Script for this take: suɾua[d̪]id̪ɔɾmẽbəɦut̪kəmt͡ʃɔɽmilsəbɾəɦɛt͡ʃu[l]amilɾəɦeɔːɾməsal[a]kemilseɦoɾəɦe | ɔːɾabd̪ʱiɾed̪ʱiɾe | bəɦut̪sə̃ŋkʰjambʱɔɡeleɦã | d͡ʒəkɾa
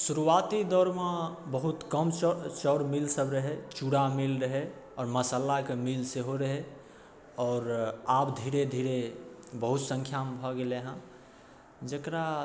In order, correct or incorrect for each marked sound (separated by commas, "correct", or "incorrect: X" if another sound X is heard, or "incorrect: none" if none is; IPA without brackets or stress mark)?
incorrect: t̪, incorrect: ɽ, correct